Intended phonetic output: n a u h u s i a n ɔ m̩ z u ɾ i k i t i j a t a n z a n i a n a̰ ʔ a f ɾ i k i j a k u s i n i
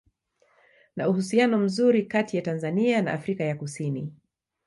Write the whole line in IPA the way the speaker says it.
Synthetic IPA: n a u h u s i a n ɔ m̩ z u ɾ i k a t i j a t a n z a n i a n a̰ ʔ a f ɾ i k a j a k u s i n i